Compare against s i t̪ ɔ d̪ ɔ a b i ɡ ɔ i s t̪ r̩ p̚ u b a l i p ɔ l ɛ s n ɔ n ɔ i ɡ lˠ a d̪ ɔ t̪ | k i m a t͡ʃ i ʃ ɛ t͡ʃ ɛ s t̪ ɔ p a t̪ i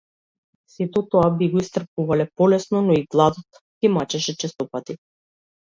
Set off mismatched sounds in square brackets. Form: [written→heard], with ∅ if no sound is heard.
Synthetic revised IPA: s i t̪ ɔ [d̪→t̪] ɔ a b i ɡ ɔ i s t̪ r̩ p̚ u [b→v] a l [i→ɛ] p ɔ l ɛ s n ɔ n ɔ i ɡ lˠ a d̪ ɔ t̪ | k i m a t͡ʃ [i→ɛ] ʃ ɛ t͡ʃ ɛ s t̪ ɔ p a t̪ i